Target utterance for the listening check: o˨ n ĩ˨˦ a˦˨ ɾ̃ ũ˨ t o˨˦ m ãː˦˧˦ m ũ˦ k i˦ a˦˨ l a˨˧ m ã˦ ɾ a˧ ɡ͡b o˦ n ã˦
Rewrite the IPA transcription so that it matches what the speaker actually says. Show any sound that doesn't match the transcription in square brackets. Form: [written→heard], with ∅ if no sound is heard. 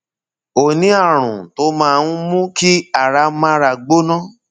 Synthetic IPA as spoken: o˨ n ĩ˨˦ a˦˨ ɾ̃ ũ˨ t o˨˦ m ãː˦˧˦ m ũ˦ k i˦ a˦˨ [l→ɾ] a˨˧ m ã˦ ɾ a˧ ɡ͡b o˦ n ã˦